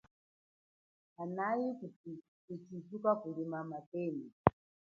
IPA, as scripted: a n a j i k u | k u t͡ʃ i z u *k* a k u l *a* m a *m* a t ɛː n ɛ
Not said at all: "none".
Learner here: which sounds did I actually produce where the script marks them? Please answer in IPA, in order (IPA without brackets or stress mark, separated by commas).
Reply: k, i, m